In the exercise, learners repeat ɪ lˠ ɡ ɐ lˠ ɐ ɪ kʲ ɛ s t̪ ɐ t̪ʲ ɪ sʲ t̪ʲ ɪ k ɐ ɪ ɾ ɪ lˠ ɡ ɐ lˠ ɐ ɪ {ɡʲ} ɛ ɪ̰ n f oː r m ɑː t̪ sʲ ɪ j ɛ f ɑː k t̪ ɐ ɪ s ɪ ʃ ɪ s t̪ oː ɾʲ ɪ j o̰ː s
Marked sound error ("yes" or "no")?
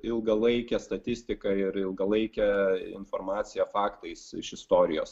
yes